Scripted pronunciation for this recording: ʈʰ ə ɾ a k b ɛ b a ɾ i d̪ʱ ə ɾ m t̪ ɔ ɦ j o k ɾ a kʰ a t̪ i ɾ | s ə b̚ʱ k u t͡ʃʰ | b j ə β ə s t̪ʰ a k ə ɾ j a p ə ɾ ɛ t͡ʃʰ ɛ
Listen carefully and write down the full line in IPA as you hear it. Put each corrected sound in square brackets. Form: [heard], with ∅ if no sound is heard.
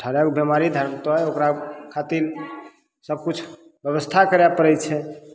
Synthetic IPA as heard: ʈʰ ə ɾ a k b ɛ [m] a ɾ i d̪ʱ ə ɾ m t̪ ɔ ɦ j o k ɾ a kʰ a t̪ i ɾ | s ə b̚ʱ k u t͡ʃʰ | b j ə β ə s t̪ʰ a k ə ɾ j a p ə ɾ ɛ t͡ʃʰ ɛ

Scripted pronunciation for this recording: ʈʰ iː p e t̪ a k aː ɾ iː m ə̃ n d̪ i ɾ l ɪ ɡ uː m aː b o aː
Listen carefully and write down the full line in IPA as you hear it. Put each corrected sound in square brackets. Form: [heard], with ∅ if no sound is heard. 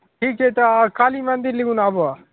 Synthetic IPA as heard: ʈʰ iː [k] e t̪ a k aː [l] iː m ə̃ n d̪ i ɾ l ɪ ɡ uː [n] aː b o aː

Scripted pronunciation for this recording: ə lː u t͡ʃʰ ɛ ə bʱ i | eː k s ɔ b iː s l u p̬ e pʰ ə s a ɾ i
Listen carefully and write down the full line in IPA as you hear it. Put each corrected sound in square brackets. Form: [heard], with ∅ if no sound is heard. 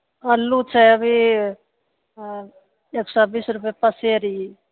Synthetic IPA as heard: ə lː u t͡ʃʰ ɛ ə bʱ i | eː k s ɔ b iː s [ɾ] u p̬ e [p] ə s [e] ɾ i

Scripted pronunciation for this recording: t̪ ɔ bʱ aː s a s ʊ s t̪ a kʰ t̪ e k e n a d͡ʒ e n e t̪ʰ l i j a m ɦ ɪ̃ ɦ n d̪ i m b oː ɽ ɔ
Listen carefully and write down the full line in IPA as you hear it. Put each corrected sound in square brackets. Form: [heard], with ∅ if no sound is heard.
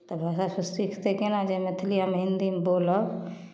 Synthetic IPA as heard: t̪ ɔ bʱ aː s a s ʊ s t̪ [i] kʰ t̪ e k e n a d͡ʒ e [m] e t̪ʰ l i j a m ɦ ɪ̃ [∅] n d̪ i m b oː [l] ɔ

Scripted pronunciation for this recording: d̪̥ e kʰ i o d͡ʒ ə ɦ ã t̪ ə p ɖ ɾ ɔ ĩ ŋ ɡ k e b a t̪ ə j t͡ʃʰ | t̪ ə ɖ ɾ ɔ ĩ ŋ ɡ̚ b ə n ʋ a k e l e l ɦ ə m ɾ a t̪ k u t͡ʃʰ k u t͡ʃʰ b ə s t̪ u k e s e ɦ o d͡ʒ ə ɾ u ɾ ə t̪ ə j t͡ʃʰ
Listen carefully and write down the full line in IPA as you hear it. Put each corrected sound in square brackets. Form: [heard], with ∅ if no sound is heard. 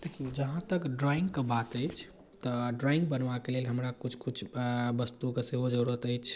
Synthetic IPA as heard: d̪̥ e kʰ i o d͡ʒ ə ɦ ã t̪ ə [k] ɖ ɾ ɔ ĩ ŋ ɡ k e b a t̪ ə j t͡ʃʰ | t̪ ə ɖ ɾ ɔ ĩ ŋ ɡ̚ b ə n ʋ a k e l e l ɦ ə m ɾ a [∅] k u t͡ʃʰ k u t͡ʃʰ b ə s t̪ u k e s e ɦ o d͡ʒ ə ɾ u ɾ ə t̪ ə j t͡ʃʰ

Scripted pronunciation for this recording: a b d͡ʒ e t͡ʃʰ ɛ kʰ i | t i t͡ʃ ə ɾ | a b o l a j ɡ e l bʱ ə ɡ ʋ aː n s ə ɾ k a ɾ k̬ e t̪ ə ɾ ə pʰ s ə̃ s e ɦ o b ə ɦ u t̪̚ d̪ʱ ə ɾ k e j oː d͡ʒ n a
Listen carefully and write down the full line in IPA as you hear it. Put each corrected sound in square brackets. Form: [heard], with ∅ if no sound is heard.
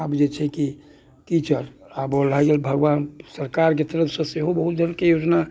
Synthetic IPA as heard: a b d͡ʒ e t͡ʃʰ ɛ [k] i | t i t͡ʃ ə ɾ | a b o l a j ɡ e l bʱ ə ɡ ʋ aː n s ə ɾ k a ɾ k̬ e t̪ ə ɾ ə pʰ s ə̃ s e ɦ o b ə ɦ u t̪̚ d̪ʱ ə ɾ k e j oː d͡ʒ n a

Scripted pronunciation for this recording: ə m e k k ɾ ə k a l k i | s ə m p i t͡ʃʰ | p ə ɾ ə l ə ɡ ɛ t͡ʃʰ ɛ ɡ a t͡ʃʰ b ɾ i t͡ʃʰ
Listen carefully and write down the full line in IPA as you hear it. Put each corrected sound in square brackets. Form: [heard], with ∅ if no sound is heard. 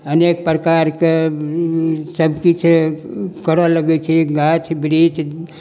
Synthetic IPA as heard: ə [n] e k [p] ɾ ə k a [ɾ] k [e] | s ə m [k] i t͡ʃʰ | [k] ə ɾ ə l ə ɡ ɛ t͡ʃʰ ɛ ɡ a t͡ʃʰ b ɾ i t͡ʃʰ

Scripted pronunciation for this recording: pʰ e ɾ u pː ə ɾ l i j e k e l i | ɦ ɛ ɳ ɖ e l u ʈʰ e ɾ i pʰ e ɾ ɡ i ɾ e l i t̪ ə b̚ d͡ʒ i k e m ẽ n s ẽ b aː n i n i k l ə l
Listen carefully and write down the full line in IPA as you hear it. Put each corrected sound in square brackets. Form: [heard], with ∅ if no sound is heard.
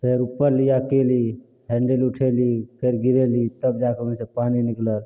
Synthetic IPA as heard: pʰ e ɾ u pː ə ɾ l i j [a] k e l i | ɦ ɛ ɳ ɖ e l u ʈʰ e [l] i pʰ e ɾ ɡ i ɾ e l i t̪ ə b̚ d͡ʒ [a] k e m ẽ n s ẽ [p] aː n i n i k l ə l

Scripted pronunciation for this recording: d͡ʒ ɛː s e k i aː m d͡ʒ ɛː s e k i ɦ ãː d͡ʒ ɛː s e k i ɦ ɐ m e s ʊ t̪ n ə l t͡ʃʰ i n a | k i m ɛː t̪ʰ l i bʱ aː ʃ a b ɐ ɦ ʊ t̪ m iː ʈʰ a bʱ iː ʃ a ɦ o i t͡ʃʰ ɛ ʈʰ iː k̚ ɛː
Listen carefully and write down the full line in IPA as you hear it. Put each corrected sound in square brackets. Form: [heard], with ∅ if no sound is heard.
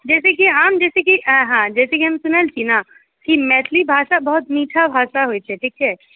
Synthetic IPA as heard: d͡ʒ ɛː s e k i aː m d͡ʒ ɛː s e k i ɦ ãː d͡ʒ ɛː s e k i ɦ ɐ m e s ʊ [∅] n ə l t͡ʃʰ i n a | k i m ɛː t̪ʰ l i bʱ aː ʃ a b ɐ ɦ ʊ t̪ m iː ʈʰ a bʱ [aː] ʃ a ɦ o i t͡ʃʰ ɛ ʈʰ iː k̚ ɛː

